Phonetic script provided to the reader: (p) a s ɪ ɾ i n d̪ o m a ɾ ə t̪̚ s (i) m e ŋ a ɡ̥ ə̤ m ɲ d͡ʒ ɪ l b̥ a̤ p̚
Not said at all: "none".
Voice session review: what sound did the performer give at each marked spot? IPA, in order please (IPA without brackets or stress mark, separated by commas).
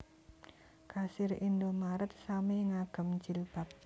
k, a